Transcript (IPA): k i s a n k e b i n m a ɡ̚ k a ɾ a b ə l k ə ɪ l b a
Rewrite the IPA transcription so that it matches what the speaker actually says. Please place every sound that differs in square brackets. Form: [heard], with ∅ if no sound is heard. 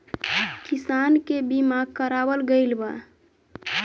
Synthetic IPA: k i s a n k e b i [∅] m a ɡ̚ k [ə] ɾ a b ə l [ɡ] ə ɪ l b a